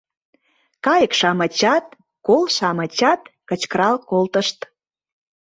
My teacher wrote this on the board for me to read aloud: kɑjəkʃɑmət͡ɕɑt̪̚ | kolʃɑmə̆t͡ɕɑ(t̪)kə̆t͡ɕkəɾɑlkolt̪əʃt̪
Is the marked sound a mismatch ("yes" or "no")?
no